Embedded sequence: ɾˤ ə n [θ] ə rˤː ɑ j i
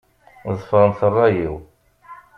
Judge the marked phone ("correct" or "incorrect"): correct